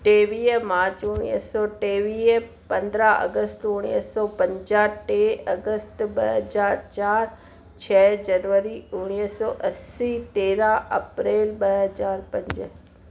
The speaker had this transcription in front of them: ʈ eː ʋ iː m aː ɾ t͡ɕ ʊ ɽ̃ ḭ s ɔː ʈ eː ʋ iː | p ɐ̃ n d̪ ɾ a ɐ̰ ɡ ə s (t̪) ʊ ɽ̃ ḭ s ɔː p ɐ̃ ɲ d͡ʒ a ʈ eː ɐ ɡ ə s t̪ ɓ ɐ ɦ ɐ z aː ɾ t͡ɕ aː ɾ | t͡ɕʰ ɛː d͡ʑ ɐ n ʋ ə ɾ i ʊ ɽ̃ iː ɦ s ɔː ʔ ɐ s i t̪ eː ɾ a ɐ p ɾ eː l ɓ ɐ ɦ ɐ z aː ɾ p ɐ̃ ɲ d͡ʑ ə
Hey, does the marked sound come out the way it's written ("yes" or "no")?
yes